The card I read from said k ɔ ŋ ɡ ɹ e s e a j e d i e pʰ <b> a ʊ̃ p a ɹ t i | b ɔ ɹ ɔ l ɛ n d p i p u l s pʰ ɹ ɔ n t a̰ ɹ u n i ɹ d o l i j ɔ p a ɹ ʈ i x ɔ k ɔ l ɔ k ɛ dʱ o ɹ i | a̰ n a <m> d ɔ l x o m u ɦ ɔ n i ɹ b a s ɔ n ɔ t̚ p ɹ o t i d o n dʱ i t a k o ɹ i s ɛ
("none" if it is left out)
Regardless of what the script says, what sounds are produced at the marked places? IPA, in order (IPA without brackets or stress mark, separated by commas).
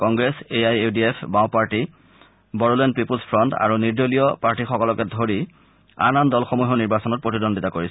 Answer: b, n